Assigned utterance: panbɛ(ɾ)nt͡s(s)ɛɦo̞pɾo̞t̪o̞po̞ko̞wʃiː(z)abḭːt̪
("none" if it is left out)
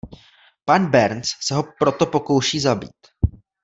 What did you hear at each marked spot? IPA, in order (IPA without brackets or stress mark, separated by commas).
ɾ, s, z